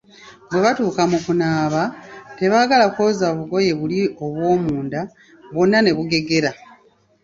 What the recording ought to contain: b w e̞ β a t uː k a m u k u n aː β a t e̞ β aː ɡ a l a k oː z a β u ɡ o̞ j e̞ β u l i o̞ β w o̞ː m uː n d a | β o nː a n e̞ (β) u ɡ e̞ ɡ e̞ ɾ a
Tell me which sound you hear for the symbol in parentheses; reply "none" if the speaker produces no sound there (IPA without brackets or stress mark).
β